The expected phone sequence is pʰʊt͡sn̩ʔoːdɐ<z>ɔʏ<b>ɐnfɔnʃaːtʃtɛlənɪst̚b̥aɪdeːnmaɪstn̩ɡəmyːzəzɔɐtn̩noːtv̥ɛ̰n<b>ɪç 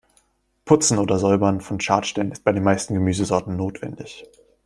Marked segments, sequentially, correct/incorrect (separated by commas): correct, correct, incorrect